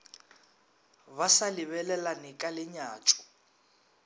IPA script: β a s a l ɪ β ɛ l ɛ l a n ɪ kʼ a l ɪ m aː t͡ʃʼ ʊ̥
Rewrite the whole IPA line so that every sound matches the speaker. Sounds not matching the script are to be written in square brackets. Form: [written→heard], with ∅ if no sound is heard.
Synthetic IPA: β a s a l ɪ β ɛ l ɛ l a n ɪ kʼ a l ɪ [m→ɲ] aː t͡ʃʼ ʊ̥

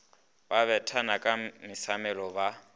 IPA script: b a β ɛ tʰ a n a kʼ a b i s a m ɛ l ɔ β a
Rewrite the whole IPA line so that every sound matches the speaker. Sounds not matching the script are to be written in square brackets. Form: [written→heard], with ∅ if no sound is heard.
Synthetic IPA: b a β ɛ tʰ a n a kʼ a [b→m] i s a m ɛ l ɔ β a

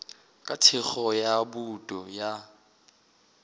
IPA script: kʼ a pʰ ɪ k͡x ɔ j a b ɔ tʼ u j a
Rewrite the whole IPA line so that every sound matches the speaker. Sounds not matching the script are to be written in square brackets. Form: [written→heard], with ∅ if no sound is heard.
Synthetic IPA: kʼ a [pʰ→tʰ] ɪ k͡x ɔ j a b [ɔ→u] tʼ [u→ɔ] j a

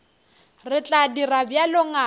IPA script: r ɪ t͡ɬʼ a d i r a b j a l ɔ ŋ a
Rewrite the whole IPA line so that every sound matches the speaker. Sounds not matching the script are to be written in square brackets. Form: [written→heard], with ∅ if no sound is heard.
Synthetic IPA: r ɪ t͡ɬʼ a d i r a b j a l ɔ ŋ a

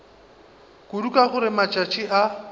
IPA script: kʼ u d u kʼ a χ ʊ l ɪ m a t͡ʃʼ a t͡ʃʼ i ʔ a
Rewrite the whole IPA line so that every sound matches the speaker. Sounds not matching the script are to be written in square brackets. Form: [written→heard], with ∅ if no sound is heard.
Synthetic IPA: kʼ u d u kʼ a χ ʊ [l→ɾ] ɪ m a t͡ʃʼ a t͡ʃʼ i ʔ a

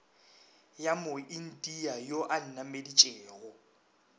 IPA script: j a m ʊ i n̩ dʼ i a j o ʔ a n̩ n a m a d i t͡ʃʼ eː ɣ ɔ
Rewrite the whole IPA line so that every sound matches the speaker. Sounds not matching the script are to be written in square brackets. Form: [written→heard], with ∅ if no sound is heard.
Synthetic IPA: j a m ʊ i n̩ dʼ i a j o ʔ a n̩ n a m [a→e] d i t͡ʃʼ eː ɣ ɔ

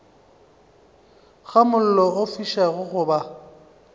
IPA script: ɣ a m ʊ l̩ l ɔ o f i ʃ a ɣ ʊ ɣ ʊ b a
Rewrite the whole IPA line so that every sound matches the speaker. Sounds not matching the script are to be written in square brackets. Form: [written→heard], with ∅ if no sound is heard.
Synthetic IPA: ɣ a m ʊ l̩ l ɔ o f i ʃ a ɣ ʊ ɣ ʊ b a

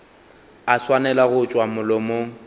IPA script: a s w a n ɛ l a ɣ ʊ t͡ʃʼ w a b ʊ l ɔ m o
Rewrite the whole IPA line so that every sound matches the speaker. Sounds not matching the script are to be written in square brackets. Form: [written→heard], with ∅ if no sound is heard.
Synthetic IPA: a s w a n ɛ l a ɣ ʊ t͡ʃʼ w a [b→m] ʊ l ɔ m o

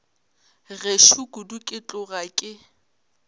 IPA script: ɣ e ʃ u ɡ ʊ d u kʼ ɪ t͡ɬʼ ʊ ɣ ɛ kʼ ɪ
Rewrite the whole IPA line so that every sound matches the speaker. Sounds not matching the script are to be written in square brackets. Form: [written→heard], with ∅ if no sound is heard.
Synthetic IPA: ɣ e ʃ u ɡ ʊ d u kʼ ɪ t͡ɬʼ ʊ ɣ [ɛ→a] kʼ ɪ

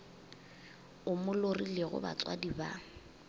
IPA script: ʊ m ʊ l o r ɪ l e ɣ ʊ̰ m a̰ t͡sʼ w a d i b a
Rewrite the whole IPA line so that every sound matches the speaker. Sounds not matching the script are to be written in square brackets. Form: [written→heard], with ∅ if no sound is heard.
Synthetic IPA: ʊ m ʊ l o r [ɪ→i] l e ɣ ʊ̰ [m→b] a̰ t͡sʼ w a d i b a

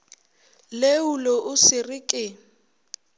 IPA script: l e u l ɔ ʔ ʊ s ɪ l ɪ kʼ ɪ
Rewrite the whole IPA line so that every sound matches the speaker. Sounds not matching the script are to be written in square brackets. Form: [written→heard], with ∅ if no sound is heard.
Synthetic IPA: l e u l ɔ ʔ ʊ s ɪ [l→r] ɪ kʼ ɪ

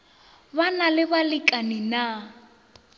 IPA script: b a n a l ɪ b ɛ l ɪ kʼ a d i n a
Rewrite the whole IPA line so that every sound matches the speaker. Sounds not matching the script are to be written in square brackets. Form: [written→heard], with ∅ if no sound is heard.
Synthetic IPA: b a n a l ɪ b [ɛ→a] l ɪ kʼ a [d→n] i n a

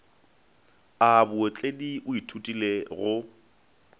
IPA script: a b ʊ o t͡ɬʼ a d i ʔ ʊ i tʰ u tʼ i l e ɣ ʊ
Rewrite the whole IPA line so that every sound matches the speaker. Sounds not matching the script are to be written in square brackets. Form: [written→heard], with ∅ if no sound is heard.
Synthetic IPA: a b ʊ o t͡ɬʼ [a→e] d i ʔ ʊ i tʰ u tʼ i l e ɣ ʊ

